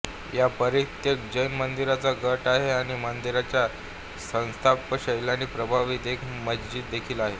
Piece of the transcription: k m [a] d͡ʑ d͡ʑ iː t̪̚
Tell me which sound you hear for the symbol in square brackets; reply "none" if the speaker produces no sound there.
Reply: ə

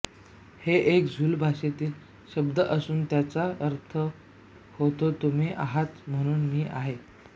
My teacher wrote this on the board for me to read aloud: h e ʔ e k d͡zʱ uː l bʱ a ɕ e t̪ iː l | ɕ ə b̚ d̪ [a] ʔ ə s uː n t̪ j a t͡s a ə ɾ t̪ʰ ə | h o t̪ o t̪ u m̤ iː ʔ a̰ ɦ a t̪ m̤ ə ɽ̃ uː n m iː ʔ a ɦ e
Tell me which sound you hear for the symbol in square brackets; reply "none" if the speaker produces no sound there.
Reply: ə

